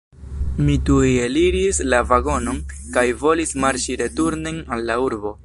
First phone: m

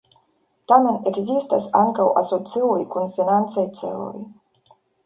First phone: t̪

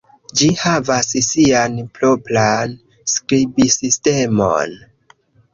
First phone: d͡ʒ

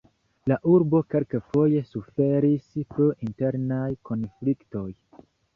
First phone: l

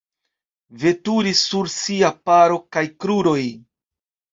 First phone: v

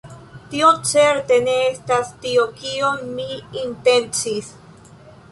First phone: t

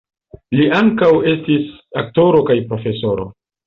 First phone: l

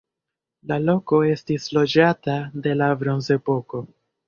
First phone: l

